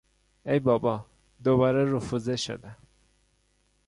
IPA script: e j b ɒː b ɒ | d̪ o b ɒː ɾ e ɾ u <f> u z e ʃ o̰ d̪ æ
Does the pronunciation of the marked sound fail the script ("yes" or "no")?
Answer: no